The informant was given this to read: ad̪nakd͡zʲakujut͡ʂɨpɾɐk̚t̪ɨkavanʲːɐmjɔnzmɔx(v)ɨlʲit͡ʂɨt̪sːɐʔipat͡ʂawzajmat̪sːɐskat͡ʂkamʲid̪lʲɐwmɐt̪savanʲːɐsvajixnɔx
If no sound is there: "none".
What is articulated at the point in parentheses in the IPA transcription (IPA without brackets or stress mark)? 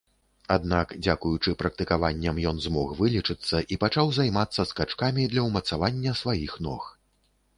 v